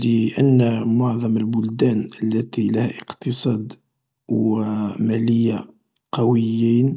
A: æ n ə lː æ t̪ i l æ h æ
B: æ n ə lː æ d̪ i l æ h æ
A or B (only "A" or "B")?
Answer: A